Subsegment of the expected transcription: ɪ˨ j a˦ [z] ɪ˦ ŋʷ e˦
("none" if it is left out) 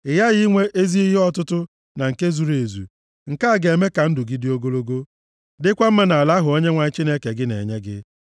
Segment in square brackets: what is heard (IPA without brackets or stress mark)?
ɣ